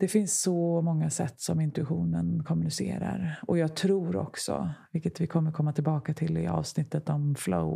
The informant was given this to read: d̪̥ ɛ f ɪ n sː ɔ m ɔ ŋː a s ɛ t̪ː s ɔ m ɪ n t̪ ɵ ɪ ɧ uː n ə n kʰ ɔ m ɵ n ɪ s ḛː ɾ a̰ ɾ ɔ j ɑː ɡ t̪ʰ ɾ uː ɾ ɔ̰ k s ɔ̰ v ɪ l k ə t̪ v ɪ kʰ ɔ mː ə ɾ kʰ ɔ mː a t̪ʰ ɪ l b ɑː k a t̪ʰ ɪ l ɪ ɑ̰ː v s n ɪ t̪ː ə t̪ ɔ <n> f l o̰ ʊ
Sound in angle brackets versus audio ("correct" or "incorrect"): incorrect